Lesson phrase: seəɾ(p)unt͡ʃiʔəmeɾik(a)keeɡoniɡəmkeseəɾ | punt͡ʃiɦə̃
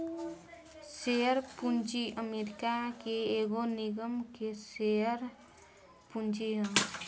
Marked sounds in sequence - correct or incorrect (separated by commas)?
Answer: correct, correct